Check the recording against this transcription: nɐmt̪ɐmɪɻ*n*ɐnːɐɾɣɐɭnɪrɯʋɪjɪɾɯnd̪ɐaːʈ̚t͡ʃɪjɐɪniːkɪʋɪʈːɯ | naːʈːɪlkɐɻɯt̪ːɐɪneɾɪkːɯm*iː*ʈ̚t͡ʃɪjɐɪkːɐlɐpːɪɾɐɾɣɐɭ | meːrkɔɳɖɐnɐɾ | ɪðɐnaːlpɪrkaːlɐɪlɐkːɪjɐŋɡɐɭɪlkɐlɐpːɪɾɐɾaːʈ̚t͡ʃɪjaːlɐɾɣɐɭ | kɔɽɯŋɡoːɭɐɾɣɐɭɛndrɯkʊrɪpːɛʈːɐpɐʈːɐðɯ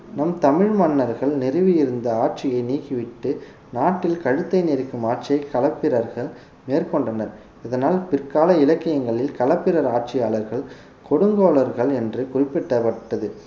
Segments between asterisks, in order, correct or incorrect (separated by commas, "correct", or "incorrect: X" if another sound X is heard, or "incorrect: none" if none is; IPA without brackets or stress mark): incorrect: m, incorrect: aː